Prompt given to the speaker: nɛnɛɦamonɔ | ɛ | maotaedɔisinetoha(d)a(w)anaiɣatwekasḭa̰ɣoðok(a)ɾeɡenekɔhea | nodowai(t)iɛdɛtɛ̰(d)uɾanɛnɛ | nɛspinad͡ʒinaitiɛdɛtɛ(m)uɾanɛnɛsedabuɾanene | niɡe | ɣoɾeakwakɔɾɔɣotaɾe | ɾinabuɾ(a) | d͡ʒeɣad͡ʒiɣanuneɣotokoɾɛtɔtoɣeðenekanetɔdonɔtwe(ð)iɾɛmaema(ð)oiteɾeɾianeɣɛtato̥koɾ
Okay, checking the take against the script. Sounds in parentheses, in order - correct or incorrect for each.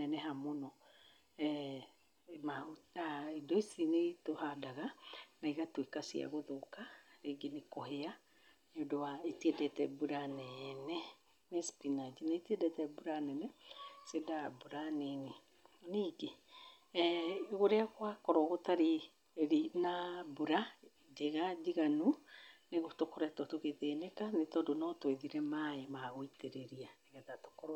correct, incorrect, correct, correct, incorrect, incorrect, correct, correct, incorrect

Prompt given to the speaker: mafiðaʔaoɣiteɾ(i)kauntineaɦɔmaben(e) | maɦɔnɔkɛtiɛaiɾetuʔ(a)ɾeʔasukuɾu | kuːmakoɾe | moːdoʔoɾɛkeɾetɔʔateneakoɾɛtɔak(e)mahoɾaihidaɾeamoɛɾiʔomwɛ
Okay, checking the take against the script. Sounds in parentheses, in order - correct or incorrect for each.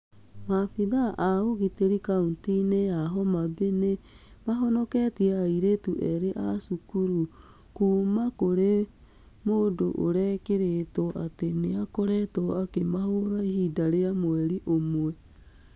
correct, correct, incorrect, correct

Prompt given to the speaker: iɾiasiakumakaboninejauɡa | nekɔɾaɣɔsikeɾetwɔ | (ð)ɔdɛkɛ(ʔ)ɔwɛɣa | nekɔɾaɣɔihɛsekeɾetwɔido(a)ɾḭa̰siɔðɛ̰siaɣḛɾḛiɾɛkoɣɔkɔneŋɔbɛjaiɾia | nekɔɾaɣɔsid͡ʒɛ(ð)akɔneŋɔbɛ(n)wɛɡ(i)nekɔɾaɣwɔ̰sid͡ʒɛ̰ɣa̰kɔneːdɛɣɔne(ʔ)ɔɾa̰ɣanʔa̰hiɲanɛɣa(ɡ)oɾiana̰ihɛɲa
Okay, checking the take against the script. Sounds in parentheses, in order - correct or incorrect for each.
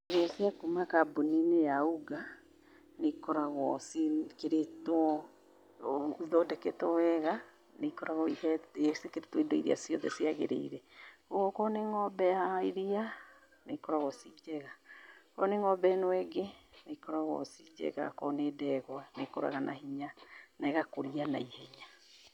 correct, incorrect, incorrect, incorrect, correct, incorrect, incorrect, incorrect

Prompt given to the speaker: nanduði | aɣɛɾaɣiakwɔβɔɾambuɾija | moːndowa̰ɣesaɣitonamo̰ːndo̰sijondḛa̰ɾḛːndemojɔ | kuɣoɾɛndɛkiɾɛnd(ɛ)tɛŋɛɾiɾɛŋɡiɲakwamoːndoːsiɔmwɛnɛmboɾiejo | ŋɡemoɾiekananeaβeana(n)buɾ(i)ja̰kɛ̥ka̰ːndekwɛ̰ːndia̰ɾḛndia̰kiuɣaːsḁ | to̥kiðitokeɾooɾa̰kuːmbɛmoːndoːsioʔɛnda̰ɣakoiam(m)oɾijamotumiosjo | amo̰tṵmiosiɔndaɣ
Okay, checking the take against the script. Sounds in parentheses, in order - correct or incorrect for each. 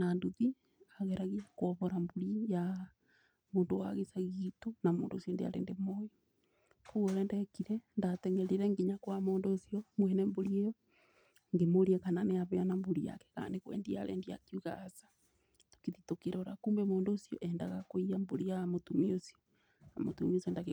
incorrect, incorrect, correct, incorrect

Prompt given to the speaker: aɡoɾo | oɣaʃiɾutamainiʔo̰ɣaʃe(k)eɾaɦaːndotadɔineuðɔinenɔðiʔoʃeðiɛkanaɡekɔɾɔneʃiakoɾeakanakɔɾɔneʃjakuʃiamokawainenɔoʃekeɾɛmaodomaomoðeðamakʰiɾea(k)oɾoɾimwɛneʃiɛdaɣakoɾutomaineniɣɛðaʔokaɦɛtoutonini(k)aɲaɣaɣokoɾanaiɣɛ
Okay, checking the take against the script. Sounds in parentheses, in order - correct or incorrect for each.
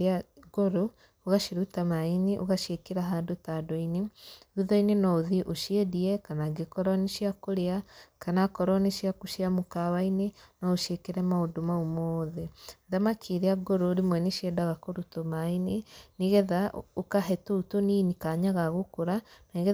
correct, incorrect, correct

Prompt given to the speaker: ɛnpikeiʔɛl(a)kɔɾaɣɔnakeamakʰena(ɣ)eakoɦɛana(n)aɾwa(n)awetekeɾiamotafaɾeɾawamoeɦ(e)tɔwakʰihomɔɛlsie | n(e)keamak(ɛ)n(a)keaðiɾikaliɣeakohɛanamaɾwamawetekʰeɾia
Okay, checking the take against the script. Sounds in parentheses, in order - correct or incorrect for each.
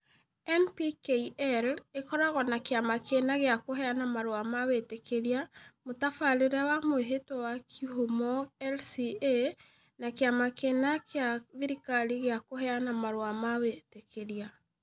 incorrect, correct, incorrect, incorrect, correct, incorrect, incorrect, correct

